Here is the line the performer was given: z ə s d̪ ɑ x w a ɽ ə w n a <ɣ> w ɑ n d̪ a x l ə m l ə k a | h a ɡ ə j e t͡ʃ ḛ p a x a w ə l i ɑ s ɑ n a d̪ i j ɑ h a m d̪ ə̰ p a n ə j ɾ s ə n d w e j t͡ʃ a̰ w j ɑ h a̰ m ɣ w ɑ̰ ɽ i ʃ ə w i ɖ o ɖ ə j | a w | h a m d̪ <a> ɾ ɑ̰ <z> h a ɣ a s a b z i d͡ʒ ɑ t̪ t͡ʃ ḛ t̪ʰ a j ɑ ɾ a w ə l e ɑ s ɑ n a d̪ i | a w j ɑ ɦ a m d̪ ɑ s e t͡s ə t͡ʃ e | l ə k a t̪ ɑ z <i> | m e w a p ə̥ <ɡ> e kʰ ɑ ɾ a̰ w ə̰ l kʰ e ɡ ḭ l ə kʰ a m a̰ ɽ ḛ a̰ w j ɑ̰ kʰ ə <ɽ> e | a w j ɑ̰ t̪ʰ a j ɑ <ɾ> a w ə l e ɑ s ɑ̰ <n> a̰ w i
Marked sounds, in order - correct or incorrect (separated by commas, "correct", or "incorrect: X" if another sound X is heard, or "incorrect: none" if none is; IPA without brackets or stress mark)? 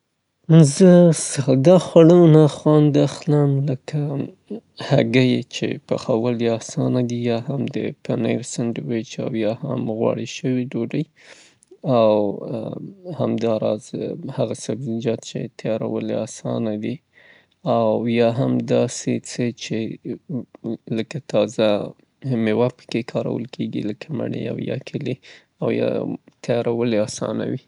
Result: incorrect: x, incorrect: ɑ, correct, incorrect: a, incorrect: k, incorrect: l, correct, correct